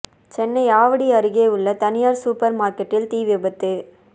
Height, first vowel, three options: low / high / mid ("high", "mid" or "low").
mid